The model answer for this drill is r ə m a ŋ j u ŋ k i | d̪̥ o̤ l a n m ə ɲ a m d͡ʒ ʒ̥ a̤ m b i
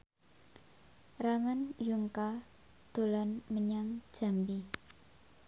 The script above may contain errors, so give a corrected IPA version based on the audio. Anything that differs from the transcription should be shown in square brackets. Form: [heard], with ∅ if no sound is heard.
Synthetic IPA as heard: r [a] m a [n] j u ŋ k [a] | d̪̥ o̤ l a n m ə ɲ a [ŋ] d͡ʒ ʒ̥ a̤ m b i